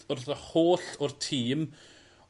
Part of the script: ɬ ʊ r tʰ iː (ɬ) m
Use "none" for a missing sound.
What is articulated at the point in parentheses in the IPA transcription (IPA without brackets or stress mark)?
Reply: none